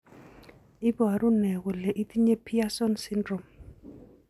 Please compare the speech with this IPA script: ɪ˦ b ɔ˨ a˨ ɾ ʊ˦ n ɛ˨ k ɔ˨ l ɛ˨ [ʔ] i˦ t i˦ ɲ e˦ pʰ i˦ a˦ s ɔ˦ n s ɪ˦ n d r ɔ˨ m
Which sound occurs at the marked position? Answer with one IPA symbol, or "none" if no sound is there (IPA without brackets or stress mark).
ʔ